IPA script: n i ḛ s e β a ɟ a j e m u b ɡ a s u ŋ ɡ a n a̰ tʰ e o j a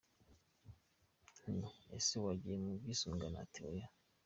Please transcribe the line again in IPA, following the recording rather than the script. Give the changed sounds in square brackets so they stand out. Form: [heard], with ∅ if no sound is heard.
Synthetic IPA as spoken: n i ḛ s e [w] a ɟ [i] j e m u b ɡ [i] s u ŋ ɡ a n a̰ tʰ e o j a